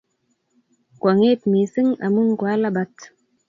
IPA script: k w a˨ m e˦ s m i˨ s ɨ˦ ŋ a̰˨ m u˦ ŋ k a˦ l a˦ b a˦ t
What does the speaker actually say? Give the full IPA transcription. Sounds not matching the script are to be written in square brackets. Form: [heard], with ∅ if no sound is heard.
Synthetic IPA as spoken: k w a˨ [ŋ] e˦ [t] m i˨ s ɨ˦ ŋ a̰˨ m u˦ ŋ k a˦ l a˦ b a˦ t

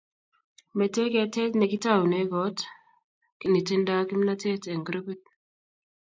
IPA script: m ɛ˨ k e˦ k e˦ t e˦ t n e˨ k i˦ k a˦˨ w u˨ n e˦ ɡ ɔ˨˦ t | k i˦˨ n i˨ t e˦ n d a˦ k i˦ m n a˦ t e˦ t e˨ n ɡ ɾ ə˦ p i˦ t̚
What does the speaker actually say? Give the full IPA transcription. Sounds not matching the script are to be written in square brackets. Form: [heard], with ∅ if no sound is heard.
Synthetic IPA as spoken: m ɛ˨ [t] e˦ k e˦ t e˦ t n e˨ k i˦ [t] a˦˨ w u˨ n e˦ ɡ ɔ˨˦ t | k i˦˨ n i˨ t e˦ n d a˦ k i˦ m n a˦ t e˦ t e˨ [ŋ] ɡ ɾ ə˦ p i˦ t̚

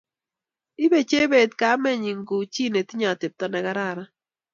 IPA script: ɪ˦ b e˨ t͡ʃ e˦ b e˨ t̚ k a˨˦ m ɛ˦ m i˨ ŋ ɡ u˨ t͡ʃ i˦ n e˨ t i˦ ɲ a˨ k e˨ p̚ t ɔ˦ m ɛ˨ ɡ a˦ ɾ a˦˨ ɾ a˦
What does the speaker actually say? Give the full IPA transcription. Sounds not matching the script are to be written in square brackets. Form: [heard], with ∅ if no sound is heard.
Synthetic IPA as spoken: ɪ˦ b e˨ t͡ʃ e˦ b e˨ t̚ k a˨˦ m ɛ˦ [ɲ] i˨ ŋ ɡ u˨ t͡ʃ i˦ n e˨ t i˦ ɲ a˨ [t] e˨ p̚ t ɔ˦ [n] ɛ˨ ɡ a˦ ɾ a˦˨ ɾ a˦

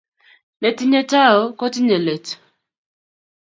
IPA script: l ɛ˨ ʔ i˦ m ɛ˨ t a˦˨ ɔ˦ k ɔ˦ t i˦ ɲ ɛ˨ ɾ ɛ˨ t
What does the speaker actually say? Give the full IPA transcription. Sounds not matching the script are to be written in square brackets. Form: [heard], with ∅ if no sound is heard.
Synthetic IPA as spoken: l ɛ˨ [t] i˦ [ɲ] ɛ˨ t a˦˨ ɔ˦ k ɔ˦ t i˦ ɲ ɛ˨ [l] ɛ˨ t

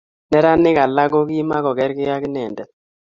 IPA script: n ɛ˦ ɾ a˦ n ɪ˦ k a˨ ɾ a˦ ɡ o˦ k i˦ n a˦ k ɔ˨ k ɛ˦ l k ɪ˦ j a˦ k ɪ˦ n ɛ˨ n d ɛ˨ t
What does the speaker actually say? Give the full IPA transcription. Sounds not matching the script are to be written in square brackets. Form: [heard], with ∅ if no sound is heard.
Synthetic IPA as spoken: n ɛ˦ ɾ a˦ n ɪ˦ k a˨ [l] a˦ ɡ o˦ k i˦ [m] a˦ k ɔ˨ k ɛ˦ [ɾ] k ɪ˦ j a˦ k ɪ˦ n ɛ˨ n d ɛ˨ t

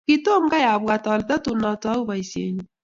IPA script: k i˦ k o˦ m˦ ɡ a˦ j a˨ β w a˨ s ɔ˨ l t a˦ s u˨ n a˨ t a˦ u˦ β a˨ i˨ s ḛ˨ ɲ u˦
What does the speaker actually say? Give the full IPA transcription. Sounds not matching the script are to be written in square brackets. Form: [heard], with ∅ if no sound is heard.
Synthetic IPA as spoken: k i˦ [t] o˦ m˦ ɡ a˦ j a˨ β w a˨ [t] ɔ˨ l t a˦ [t] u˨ n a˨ t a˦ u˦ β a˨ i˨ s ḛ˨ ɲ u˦

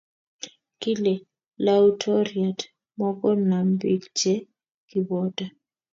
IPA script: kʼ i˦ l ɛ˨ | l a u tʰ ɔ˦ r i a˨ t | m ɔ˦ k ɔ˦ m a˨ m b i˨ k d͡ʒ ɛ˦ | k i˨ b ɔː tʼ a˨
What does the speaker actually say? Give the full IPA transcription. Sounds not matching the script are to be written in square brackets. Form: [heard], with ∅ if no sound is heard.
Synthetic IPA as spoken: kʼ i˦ l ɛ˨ | l a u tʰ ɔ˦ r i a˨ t | m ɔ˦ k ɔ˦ [n] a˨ m b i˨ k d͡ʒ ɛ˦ | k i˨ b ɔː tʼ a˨

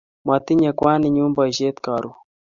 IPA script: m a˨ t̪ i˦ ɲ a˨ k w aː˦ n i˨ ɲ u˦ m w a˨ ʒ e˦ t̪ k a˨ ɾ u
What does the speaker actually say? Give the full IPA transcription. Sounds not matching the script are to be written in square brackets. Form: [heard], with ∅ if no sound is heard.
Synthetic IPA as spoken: m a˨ t̪ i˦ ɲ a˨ k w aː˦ n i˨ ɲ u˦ m [b] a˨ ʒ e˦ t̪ k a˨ ɾ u

